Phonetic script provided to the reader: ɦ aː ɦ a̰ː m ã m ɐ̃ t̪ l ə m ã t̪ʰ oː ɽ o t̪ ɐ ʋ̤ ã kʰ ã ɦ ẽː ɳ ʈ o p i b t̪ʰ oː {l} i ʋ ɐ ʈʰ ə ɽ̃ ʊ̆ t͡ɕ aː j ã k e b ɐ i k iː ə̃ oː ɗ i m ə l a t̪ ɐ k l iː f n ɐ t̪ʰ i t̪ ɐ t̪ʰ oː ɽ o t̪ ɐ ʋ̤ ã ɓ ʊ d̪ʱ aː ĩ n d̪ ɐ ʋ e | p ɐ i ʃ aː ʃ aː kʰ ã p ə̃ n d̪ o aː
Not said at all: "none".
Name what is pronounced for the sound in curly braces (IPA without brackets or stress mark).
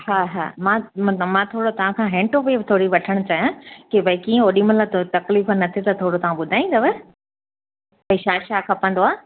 ɽ